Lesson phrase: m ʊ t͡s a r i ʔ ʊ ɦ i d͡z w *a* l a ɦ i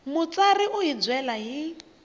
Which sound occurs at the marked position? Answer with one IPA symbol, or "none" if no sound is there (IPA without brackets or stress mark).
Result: ɛ